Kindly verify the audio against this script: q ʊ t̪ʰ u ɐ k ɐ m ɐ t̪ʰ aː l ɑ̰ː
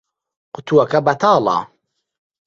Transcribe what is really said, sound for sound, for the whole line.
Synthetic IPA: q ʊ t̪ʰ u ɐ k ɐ b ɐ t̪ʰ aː l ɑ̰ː